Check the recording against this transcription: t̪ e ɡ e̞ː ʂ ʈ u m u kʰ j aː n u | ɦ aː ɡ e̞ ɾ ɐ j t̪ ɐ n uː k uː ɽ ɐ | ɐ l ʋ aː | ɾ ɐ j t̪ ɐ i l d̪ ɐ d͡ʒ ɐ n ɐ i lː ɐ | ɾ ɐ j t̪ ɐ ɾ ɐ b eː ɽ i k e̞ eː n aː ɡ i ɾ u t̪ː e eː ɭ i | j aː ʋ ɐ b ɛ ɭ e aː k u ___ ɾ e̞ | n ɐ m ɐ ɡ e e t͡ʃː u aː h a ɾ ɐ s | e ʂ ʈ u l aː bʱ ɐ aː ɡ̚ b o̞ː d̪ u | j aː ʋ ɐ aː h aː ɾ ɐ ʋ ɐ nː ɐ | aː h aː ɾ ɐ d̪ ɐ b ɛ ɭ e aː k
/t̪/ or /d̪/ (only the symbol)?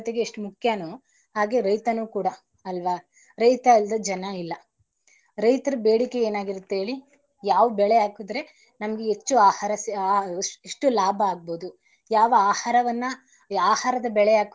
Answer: d̪